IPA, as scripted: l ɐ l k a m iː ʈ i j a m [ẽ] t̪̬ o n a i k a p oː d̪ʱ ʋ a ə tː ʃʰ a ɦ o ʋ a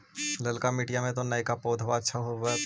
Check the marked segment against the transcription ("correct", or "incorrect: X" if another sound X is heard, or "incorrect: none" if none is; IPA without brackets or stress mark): correct